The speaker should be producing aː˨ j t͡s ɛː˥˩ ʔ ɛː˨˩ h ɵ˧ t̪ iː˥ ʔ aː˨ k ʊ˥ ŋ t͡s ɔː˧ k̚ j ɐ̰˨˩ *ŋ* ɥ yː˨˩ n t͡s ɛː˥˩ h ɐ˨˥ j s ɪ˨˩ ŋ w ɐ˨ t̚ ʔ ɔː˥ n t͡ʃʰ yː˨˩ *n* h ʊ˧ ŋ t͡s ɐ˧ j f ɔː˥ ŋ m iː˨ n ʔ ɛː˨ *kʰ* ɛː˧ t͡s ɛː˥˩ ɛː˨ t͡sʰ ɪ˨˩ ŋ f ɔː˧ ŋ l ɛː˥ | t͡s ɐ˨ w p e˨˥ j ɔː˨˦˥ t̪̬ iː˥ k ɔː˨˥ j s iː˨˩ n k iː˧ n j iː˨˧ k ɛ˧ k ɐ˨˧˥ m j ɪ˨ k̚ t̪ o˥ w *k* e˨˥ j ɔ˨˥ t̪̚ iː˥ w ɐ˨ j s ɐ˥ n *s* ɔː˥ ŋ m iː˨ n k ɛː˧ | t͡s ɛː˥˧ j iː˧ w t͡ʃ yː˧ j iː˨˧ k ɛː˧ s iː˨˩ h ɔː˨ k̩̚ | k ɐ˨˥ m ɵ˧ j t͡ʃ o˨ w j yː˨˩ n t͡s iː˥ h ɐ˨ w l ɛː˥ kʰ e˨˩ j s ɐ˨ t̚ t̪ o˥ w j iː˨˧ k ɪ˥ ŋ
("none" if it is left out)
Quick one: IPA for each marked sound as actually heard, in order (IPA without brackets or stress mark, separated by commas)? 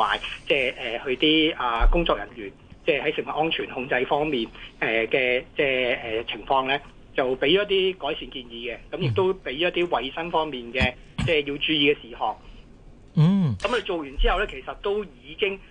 n, n, k, p, f